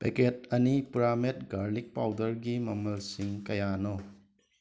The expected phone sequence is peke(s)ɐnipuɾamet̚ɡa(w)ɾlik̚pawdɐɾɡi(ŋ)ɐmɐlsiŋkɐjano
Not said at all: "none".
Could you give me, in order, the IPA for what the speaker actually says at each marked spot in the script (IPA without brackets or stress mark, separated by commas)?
t, none, m